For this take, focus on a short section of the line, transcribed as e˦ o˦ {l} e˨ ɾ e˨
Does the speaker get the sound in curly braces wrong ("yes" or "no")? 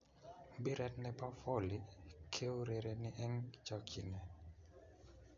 yes